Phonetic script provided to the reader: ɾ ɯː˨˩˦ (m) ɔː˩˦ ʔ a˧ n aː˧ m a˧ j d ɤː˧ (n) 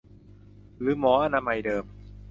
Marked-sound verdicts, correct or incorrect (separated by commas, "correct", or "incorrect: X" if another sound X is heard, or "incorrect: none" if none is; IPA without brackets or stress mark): correct, incorrect: m